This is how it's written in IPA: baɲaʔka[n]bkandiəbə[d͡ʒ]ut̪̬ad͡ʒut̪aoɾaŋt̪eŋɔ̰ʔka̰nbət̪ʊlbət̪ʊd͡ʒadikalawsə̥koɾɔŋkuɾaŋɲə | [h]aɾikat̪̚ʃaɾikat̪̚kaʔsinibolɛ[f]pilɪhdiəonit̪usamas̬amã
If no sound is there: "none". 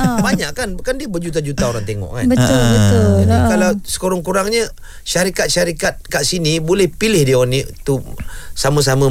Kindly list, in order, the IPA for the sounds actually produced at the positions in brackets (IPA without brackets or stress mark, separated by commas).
n, d͡ʒ, ʃ, h